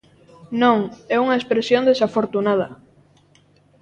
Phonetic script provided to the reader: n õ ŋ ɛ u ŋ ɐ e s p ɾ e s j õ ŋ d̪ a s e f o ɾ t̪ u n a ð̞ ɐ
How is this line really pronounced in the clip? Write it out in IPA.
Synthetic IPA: n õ ŋ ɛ u ŋ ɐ e s p ɾ e s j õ n d̪ e s a f o ɾ t̪ u n a ð̞ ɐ

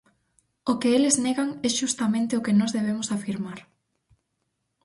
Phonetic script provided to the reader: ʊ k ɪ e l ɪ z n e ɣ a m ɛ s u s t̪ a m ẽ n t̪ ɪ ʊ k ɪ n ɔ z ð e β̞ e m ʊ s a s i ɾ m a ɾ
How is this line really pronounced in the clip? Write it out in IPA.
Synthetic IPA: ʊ k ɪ e l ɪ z n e ɣ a ŋ ɛ ʃ u s t̪ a m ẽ n t̪ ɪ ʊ k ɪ n ɔ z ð e β̞ e m ʊ s a f i ɾ m a ɾ

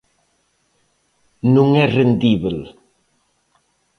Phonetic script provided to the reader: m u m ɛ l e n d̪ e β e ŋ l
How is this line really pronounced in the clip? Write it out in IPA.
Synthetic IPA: n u ŋ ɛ r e n d̪ i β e l

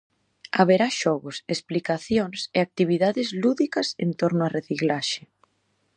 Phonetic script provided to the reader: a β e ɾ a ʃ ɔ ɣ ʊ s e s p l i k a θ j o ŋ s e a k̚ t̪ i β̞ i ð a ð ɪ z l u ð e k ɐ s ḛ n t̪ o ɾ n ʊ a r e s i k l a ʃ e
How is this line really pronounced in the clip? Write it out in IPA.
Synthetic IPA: a β e ɾ a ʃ ɔ ɣ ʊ s e s p l i k a θ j o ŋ s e a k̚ t̪ i β̞ i ð a ð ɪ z l u ð i k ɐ s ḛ n t̪ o ɾ n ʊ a r e θ i k l a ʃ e

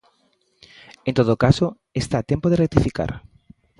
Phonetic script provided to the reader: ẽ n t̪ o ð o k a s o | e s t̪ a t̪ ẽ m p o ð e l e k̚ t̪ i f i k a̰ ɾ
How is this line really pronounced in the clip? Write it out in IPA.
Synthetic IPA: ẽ n t̪ o ð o k a s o | e s t̪ a t̪ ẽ m p o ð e r e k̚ t̪ i f i k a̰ ɾ

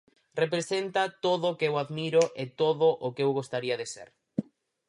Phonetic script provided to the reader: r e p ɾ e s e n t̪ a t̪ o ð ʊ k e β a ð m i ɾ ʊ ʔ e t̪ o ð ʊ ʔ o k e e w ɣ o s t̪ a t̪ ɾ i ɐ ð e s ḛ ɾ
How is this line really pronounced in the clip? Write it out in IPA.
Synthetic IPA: r e p ɾ e s e n t̪ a t̪ o ð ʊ k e w a ð m i ɾ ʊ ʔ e t̪ o ð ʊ ʔ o k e e w ɣ o s t̪ a ɾ i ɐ ð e s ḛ ɾ

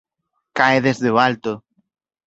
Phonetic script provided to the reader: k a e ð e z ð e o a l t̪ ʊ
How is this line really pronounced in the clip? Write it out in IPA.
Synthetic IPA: k a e ð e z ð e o a l t̪ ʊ

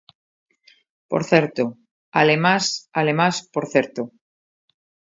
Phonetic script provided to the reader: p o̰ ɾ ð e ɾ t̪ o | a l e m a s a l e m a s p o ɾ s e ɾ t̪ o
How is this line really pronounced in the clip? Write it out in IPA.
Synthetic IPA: p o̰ ɾ θ e ɾ t̪ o | a l e m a s a l e m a s p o ɾ θ e ɾ t̪ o

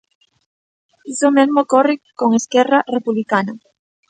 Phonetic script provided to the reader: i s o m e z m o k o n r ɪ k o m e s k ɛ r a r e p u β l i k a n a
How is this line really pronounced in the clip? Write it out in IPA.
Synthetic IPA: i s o m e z m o k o r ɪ k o ŋ e s k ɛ r a r e p u β l i k a n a

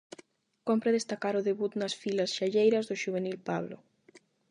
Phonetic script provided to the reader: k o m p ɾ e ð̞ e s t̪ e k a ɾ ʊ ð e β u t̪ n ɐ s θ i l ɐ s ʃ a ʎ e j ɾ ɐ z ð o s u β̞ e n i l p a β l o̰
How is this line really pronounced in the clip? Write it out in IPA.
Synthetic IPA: k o m p ɾ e ð̞ e s t̪ a k a ɾ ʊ ð e β u t̪ n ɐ s f i l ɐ s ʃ a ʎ e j ɾ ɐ z ð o ʃ u β̞ e n i l p a β l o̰

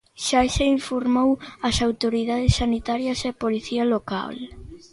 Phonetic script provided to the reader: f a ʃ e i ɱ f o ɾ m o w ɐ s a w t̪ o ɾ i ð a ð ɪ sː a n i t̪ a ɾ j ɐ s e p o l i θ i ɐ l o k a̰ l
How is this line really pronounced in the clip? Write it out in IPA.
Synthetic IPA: ʃ a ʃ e i ɱ f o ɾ m o w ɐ s a w t̪ o ɾ i ð a ð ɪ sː a n i t̪ a ɾ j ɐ s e p o l i θ i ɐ l o k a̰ l

